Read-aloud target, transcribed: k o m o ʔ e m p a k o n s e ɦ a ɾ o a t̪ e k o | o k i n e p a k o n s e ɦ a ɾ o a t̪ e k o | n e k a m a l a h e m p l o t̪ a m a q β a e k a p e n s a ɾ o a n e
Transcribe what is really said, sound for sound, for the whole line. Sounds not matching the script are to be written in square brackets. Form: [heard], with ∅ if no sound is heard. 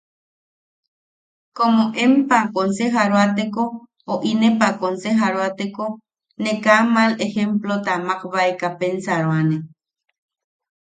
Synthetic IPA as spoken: k o m o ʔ e m p a k o n s e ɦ a ɾ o a t̪ e k o | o [ʔ] i n e p a k o n s e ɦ a ɾ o a t̪ e k o | n e k a m a l [e] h e m p l o t̪ a m a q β a e k a p e n s a ɾ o a n e